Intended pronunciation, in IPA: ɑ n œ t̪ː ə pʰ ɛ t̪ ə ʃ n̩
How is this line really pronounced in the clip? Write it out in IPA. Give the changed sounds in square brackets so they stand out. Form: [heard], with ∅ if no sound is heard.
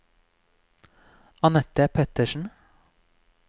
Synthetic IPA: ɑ n [ɛ] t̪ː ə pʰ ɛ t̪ ə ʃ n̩